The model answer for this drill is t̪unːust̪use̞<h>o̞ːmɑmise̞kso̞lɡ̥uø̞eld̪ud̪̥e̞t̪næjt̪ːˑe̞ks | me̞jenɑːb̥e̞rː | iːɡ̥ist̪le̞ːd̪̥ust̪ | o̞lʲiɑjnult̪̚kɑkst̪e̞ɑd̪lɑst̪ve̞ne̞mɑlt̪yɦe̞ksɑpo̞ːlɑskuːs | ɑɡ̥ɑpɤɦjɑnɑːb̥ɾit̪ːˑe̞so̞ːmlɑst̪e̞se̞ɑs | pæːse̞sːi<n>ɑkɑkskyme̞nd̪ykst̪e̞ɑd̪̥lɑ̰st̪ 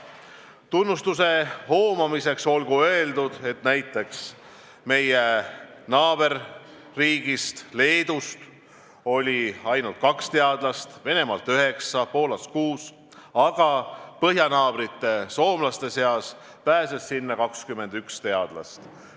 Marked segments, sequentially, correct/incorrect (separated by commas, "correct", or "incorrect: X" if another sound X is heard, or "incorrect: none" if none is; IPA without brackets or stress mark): correct, incorrect: nː